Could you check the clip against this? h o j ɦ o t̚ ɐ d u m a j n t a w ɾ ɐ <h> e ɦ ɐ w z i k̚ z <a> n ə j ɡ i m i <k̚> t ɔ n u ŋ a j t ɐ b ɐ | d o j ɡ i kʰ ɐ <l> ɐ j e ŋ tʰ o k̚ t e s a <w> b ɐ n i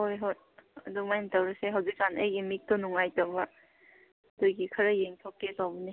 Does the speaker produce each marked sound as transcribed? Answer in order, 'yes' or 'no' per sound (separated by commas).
no, yes, yes, no, yes